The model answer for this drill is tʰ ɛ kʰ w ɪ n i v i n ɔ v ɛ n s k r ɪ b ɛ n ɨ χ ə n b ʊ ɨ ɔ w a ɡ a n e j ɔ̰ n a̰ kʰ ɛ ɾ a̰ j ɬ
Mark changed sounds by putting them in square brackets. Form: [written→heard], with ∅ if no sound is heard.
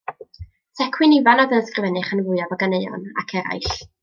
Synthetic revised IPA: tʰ ɛ kʰ w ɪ n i v [i→a] n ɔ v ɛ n s k r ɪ [b→v] ɛ n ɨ χ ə n [b→v] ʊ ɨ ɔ [w→v] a ɡ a n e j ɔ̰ n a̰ kʰ ɛ ɾ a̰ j ɬ

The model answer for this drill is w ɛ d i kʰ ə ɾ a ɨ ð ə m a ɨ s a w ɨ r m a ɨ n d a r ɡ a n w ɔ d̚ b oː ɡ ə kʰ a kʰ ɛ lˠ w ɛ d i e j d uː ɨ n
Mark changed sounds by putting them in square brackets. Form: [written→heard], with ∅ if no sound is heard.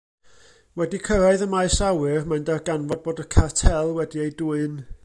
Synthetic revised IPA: w ɛ d i kʰ ə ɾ a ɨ ð ə m a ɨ s a w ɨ r m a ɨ n d a r ɡ a n [w→v] ɔ d̚ b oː [ɡ→d] ə kʰ a [kʰ→tʰ] ɛ lˠ w ɛ d i e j d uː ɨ n

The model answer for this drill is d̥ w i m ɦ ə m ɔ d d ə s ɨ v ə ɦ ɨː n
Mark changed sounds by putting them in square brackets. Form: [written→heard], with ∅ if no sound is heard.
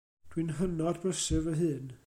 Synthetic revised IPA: d̥ w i [m→n] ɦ ə [m→n] ɔ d [d→b] ə s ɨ v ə ɦ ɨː n

